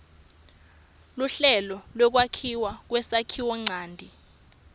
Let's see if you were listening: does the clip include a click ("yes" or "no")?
yes